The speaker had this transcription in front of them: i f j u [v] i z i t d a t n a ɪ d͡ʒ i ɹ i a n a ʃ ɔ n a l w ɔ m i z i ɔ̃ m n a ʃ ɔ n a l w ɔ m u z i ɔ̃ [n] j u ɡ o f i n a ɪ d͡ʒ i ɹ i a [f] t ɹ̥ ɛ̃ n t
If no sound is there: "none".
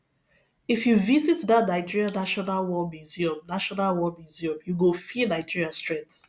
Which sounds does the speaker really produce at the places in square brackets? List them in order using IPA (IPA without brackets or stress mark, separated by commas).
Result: v, m, s